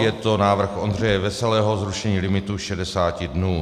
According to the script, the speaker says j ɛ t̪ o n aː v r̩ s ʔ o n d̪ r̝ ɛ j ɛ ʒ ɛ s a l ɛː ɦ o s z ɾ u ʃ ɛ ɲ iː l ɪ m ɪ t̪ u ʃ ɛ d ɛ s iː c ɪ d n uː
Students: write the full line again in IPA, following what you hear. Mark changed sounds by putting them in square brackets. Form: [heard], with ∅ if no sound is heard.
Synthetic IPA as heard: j ɛ t̪ o n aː v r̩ [x] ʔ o n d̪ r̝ ɛ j ɛ [v] ɛ s [ɛ] l ɛː ɦ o [∅] z ɾ u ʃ ɛ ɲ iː l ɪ m ɪ t̪ u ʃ ɛ d ɛ s [aː] c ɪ d n uː